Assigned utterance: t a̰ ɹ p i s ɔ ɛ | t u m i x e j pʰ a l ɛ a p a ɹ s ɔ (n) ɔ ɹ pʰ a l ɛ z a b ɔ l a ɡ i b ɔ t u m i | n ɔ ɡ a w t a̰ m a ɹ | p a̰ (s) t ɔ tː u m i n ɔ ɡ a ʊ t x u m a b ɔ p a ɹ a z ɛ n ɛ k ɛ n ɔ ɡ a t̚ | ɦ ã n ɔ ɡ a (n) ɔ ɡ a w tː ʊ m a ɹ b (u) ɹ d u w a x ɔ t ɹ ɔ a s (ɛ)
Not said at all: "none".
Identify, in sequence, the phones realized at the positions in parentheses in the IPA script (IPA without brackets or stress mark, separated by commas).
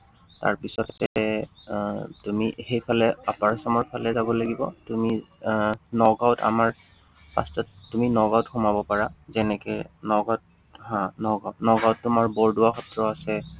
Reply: m, s, n, ɔ, ɛ